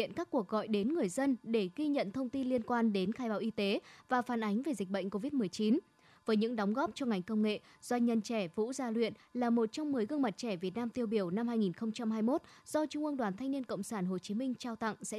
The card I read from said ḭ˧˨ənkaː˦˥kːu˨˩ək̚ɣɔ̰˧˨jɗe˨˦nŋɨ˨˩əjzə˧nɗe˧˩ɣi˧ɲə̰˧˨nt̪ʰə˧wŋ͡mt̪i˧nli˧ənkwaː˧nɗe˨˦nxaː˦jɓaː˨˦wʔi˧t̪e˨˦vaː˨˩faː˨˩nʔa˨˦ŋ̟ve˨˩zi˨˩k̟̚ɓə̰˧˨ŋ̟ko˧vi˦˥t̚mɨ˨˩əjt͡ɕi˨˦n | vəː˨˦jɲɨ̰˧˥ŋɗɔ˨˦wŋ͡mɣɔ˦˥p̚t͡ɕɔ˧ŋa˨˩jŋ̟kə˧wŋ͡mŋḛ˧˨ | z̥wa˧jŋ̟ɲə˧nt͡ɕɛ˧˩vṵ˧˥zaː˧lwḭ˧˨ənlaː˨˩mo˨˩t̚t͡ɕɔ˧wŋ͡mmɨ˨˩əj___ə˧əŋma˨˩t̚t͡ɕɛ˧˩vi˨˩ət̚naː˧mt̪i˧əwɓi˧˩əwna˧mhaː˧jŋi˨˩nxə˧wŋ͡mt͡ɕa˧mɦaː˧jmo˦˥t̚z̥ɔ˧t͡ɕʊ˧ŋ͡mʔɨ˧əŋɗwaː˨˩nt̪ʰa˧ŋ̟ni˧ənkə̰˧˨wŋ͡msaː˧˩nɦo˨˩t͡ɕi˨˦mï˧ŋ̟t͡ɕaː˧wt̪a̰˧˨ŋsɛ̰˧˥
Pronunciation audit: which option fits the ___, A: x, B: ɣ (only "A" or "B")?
B